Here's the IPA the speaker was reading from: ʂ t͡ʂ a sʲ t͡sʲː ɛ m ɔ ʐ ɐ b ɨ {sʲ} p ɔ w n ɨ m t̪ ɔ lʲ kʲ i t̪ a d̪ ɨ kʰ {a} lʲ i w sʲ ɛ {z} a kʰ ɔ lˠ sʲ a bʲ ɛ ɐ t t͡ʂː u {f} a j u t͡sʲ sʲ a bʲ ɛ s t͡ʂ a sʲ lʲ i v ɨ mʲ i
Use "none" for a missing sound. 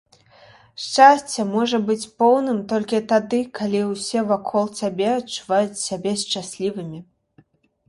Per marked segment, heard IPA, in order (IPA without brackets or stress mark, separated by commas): t͡sʲ, a, v, v